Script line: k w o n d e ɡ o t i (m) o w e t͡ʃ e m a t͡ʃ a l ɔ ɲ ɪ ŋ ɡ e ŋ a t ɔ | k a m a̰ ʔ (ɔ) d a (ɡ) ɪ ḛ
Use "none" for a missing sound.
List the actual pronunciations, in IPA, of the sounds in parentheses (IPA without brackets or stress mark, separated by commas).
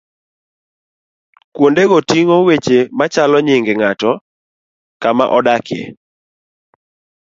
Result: ŋ, ɔ, k